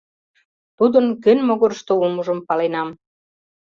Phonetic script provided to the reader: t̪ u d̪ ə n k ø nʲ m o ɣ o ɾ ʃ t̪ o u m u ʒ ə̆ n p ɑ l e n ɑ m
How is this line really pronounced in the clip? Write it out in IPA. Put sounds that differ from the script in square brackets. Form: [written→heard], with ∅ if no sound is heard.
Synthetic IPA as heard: t̪ u d̪ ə n k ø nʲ m o ɣ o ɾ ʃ t̪ o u m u ʒ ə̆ [n→m] p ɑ l e n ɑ m

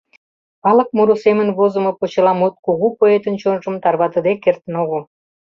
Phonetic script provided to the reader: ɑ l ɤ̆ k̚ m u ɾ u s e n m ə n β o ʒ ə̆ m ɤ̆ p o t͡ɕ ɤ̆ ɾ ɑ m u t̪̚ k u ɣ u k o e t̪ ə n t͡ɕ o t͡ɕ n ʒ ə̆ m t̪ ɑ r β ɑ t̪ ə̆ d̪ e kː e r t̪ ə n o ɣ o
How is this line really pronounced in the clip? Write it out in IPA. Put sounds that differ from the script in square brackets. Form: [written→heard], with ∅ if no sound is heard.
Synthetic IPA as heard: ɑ l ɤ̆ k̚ m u ɾ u s e [n→∅] m ə n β o [ʒ→z] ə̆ m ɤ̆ p o t͡ɕ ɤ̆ [ɾ→l] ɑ m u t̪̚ k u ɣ u [k→p] o e t̪ ə n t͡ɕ o [t͡ɕ→∅] n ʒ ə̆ m t̪ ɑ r β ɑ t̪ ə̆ d̪ e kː e r t̪ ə n o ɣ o

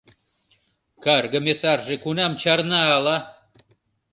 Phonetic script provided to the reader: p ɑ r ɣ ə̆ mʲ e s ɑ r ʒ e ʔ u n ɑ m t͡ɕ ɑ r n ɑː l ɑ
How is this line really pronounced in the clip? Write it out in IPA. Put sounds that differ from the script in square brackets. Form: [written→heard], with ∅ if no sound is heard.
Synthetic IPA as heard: [p→k] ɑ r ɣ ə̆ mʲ e s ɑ r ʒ e [ʔ→k] u n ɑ m t͡ɕ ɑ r n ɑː l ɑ

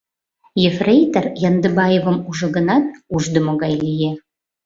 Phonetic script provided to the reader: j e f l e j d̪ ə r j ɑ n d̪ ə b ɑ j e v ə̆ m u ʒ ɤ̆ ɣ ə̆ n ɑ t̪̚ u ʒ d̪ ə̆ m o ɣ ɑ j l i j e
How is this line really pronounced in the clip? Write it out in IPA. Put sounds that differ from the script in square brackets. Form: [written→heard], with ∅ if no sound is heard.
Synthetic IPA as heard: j e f [l→r] e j [d̪→t̪] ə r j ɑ n d̪ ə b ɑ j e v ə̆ m u ʒ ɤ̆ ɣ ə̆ n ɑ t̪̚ u ʒ d̪ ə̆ m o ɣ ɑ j l i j e

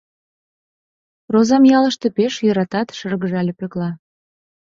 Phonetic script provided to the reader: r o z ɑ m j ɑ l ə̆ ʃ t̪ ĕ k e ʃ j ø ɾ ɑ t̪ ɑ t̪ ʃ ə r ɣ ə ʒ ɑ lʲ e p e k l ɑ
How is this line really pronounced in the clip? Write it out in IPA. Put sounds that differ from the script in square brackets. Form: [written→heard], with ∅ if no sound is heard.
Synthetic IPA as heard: r o z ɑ m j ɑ l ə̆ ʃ t̪ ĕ [k→p] e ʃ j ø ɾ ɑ t̪ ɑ t̪ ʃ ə r ɣ ə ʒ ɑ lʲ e p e k l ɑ

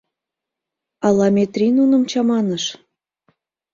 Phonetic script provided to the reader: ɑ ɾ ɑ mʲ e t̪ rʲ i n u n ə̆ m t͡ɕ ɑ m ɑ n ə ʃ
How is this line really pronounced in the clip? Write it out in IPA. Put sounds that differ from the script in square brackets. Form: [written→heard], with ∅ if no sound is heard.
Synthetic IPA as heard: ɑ [ɾ→l] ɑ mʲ e t̪ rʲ i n u n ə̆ m t͡ɕ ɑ m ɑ n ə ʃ

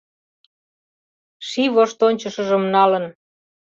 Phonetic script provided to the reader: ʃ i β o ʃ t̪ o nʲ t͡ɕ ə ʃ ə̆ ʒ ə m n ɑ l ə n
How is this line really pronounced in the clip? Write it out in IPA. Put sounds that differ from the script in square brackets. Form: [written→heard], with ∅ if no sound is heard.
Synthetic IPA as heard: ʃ i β o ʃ t̪ o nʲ t͡ɕ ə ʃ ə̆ ʒ ə m n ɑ l ə n

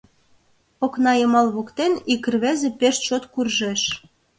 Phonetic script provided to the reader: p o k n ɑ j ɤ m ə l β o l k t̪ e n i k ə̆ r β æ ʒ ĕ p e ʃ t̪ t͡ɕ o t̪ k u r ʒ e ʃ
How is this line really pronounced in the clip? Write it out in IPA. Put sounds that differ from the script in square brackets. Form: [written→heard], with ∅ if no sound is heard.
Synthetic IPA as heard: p o k n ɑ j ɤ m [ə→ɑ] l β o [l→∅] k t̪ e n i k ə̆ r β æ [ʒ→z] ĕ p e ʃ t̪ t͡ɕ o t̪ k u r ʒ e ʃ

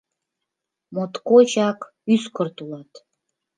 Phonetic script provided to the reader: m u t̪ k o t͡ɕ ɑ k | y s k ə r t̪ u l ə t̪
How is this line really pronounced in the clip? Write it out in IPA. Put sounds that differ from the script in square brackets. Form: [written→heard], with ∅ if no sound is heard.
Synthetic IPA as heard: m [u→o] t̪ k o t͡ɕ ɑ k | y s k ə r t̪ u l [ə→ɑ] t̪

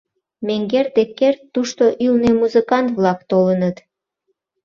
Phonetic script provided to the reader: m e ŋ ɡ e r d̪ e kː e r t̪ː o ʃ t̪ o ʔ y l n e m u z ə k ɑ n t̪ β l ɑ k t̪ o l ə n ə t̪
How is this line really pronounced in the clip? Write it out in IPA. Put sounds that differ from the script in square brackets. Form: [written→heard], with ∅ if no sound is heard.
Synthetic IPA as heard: m e ŋ ɡ e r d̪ e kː e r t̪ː [o→u] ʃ t̪ o ʔ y l n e m u z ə k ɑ n t̪ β l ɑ k t̪ o l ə n ə t̪

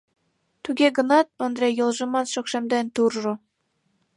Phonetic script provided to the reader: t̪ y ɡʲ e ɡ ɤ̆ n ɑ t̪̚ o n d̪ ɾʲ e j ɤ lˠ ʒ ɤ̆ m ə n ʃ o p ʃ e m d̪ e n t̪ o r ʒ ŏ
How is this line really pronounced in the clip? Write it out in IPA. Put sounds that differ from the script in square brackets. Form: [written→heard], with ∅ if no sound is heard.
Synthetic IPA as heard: t̪ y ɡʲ e ɡ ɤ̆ n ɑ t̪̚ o n d̪ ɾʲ e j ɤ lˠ ʒ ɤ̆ m [ə→ɑ] n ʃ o [p→k] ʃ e m d̪ e n t̪ [o→u] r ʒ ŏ

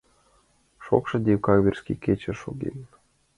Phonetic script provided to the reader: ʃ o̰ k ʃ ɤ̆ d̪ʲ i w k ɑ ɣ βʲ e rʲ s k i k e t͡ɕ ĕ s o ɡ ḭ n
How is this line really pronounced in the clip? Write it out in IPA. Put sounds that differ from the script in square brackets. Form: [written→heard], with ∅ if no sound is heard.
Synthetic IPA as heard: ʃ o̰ k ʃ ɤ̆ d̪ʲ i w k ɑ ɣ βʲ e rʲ s k i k e t͡ɕ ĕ [s→ʃ] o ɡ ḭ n

